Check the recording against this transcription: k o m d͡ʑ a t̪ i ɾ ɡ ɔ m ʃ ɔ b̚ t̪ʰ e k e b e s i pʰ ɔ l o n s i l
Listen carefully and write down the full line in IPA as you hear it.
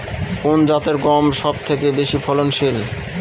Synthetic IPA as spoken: k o n d͡ʑ a t̪ e ɾ ɡ ɔ m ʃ ɔ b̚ t̪ʰ e k e b e ʃ i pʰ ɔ l o n ʃ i l